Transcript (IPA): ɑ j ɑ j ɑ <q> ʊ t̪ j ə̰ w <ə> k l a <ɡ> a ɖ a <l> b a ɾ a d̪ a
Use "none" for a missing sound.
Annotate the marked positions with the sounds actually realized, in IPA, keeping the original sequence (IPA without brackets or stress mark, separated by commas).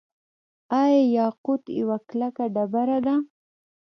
q, a, k, none